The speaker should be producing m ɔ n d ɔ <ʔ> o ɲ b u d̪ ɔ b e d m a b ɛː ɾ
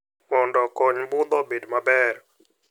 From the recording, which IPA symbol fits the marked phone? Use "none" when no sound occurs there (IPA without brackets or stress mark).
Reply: k